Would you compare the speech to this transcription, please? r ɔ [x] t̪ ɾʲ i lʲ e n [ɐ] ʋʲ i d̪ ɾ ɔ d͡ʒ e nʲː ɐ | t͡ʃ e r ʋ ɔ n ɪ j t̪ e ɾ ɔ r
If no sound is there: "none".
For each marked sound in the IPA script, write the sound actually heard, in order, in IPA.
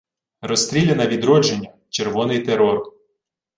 s, ɐ

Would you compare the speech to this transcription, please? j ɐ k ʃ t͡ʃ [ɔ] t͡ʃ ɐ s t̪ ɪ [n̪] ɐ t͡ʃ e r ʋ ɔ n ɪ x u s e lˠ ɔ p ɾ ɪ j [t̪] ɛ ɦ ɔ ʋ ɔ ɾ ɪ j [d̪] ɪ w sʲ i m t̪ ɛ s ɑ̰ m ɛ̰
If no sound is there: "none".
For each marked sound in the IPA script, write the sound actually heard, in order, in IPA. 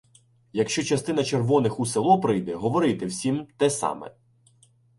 ɔ, n̪, d̪, t̪

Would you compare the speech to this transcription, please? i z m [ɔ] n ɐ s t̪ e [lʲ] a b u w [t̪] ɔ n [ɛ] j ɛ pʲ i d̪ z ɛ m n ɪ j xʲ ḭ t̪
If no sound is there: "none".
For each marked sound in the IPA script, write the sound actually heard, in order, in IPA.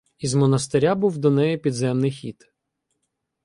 ɔ, ɾʲ, d̪, ɛ

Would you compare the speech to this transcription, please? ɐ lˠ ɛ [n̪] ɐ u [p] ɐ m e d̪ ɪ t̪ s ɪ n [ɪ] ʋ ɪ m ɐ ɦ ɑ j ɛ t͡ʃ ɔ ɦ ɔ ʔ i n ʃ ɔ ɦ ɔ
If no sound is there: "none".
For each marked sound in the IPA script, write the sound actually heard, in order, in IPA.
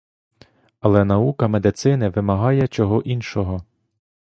n̪, k, ɪ

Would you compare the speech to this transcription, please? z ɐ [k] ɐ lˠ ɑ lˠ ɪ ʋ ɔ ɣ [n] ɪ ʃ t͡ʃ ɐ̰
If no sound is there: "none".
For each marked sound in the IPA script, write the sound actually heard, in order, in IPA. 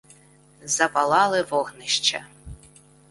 p, n

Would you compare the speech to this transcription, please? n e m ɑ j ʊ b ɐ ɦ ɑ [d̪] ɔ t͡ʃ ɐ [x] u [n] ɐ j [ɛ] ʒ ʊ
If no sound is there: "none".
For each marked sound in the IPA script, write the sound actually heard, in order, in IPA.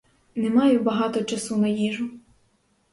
t̪, s, n, i

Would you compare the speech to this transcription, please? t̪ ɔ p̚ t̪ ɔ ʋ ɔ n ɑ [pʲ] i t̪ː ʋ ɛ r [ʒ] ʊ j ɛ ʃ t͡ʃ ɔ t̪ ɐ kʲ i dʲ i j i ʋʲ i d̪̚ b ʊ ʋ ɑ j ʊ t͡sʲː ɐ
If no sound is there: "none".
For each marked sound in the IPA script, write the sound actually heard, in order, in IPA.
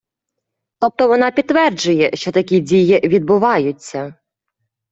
pʲ, d͡ʒ

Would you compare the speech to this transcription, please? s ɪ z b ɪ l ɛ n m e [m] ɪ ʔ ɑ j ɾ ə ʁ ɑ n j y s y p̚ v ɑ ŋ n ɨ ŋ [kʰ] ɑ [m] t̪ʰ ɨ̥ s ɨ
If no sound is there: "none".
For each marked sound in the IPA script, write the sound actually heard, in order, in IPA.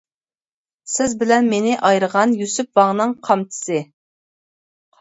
n, qʰ, m

